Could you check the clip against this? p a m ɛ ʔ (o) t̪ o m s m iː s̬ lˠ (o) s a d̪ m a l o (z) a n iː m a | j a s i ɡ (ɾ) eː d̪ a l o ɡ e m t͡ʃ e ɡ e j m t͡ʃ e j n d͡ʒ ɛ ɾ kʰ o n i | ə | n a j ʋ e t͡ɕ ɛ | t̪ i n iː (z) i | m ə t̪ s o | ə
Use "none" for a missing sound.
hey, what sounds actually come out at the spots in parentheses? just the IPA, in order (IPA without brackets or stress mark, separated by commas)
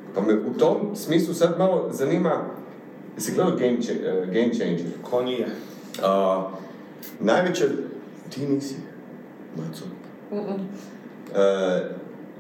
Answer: u, u, z, l, s